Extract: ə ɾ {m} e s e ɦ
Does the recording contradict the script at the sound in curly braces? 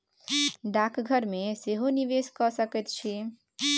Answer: no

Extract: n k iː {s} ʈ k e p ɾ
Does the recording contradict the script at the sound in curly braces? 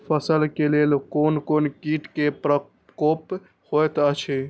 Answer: yes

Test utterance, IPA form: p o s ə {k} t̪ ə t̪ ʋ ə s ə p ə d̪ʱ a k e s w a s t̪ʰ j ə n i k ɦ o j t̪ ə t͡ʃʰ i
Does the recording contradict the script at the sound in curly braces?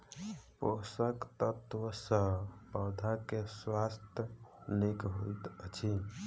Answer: no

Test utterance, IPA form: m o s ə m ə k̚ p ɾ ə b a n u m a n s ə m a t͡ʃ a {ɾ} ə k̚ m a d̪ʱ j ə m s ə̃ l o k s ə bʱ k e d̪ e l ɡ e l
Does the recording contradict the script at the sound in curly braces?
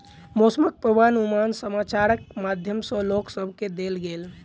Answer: no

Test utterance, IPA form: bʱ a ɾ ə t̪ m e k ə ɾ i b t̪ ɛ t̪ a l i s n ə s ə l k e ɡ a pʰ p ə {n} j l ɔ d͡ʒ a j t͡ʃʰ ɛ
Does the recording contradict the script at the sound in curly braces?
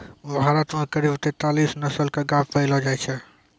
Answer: yes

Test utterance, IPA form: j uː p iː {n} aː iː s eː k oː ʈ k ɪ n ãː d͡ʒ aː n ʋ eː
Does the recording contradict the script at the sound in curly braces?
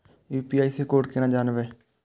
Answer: yes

